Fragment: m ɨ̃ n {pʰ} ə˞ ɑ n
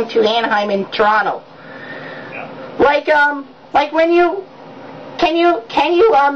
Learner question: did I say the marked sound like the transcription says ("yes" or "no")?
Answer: no